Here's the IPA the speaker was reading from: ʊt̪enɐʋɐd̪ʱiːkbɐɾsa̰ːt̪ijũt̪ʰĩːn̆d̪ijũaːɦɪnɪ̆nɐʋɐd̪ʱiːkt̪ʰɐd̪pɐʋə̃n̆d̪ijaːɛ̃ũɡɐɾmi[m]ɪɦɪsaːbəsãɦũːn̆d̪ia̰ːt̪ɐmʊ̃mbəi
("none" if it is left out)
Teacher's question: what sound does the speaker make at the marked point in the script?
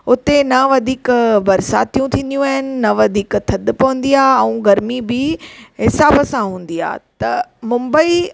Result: b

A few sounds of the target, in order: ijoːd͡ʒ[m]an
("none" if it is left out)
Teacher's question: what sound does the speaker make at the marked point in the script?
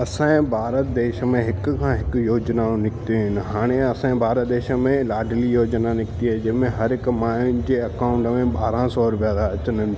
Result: n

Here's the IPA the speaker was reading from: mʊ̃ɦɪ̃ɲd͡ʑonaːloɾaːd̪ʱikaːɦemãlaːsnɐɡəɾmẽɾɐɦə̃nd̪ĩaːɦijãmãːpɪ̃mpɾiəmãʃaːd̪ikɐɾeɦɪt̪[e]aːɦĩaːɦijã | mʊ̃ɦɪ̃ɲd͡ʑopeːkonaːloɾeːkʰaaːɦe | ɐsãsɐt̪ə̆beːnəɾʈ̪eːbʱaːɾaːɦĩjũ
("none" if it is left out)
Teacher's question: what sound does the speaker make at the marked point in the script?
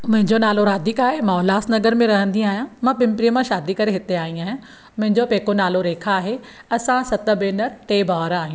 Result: e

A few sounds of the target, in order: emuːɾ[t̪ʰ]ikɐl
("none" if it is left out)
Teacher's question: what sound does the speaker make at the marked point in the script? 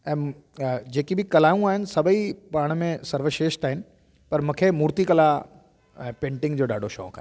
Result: t̪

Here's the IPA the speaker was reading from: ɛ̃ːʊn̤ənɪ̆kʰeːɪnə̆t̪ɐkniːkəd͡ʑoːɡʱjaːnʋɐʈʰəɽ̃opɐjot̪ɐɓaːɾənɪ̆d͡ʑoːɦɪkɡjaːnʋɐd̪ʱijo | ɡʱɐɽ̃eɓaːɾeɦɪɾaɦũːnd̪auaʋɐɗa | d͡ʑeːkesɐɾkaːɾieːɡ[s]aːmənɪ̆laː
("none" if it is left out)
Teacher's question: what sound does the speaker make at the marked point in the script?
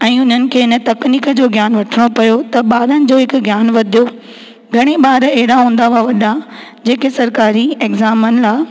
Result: z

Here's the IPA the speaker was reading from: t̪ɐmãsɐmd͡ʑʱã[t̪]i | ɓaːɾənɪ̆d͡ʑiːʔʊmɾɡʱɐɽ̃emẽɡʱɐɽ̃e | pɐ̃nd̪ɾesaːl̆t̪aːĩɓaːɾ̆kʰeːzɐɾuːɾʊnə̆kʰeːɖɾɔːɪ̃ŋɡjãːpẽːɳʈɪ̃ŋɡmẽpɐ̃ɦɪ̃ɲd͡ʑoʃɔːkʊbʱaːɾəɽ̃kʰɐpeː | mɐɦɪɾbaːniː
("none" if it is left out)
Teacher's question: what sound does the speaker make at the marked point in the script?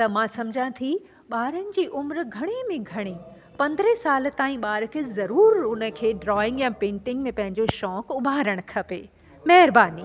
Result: t̪ʰ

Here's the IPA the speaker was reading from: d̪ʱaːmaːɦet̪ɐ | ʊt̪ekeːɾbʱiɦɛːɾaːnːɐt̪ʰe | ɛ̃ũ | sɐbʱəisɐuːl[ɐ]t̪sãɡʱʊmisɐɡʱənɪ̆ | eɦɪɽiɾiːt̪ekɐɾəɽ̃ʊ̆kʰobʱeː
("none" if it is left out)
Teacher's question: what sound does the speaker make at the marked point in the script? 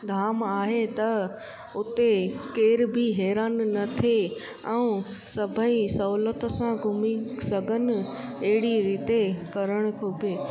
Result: ə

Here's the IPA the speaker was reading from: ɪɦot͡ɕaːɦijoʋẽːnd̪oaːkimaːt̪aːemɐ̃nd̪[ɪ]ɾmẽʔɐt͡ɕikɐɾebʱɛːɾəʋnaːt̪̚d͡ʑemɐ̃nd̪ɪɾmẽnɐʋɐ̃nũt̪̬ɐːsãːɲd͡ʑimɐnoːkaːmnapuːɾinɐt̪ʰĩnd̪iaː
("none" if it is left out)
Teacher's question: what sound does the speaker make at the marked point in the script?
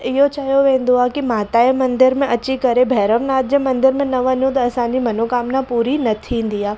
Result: ɪ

